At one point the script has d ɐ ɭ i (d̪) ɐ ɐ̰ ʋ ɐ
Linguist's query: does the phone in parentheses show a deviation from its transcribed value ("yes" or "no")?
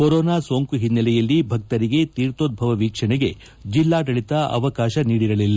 yes